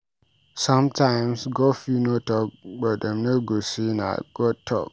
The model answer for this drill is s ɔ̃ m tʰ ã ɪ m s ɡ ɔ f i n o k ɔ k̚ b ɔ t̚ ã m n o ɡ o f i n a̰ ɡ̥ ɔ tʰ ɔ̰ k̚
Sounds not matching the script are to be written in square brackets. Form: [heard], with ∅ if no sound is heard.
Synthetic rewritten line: s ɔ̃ m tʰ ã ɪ m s ɡ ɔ f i n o [t] ɔ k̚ b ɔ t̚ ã m n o ɡ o [s] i n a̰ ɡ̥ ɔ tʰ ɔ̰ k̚